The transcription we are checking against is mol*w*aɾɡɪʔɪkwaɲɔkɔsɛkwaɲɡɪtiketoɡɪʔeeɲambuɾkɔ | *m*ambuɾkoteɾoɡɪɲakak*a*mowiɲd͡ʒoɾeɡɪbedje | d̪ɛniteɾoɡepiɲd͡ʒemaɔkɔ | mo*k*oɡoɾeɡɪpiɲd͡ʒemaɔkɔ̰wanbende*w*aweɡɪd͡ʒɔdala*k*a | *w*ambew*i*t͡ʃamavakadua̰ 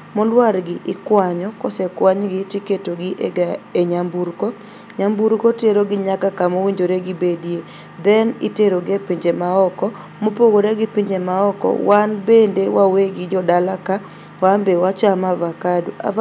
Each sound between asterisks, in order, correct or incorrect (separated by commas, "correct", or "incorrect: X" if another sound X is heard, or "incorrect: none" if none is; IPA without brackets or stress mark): correct, incorrect: ɲ, correct, incorrect: p, correct, correct, correct, incorrect: a